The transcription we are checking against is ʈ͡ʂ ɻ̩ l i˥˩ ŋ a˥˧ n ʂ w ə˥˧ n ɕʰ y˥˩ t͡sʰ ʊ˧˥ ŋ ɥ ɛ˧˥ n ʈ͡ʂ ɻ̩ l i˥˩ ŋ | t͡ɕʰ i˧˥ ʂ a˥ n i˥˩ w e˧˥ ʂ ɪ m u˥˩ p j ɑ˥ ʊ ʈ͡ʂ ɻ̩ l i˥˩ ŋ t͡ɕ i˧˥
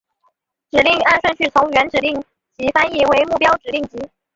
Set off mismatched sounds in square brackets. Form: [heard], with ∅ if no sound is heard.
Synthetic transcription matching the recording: ʈ͡ʂ ɻ̩ l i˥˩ ŋ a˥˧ n ʂ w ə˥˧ n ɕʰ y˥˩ t͡sʰ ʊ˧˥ ŋ ɥ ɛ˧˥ n ʈ͡ʂ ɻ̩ l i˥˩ ŋ | [t͡ɕ] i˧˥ [f] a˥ n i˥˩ w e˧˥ [∅] ɪ m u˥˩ p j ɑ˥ ʊ ʈ͡ʂ ɻ̩ l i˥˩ ŋ t͡ɕ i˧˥